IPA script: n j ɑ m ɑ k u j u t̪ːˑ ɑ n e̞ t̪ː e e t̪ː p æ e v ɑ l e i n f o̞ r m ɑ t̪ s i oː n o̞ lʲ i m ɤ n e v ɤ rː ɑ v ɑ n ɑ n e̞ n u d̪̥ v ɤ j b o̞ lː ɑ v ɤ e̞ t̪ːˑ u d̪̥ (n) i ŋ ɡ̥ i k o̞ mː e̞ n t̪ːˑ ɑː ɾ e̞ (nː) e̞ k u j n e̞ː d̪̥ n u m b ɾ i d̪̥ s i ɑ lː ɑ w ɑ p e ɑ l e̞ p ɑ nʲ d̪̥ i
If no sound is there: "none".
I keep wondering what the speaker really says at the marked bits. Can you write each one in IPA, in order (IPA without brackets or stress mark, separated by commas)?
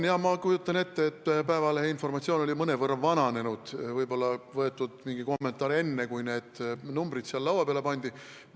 m, nː